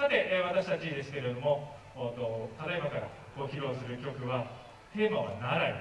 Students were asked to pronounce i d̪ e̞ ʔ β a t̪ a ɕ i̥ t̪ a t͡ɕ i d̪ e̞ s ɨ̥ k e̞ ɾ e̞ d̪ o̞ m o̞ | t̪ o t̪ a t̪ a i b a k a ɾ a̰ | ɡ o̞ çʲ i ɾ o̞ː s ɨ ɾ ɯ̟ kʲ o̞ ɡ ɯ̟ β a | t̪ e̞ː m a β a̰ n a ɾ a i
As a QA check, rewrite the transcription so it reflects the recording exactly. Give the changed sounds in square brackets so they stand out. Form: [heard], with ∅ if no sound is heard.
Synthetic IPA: [a] d̪ e̞ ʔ β a t̪ a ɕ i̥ t̪ a t͡ɕ i d̪ e̞ s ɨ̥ k e̞ ɾ e̞ d̪ o̞ m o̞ | t̪ o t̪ a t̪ a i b a k a ɾ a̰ | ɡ o̞ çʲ i ɾ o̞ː s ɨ ɾ ɯ̟ kʲ o̞ [k] ɯ̟ β a | t̪ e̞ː m a β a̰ n a ɾ a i